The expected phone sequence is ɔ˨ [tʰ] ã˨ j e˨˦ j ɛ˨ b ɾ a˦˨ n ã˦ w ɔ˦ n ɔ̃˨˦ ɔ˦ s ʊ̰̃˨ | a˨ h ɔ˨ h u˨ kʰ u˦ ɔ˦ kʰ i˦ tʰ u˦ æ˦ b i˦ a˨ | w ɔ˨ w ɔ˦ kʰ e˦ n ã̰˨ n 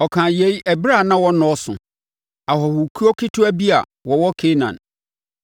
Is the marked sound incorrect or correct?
incorrect